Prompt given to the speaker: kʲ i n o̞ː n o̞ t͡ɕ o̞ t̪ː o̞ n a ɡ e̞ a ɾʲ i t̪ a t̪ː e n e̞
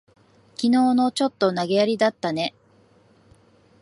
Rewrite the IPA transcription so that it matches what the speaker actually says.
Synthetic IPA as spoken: kʲ i n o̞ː n o̞ t͡ɕ o̞ t̪ː o̞ n a ɡ e̞ a ɾʲ i d̪ a t̪ː a n e̞